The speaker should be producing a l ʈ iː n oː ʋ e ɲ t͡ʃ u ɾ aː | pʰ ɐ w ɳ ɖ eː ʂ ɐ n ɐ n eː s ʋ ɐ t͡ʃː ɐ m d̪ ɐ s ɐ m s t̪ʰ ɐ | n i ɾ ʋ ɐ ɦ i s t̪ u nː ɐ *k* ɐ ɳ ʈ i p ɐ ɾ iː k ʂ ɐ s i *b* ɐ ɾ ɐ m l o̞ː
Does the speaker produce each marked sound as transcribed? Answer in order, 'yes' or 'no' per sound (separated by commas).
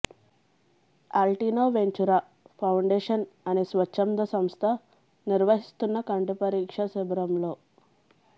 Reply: yes, yes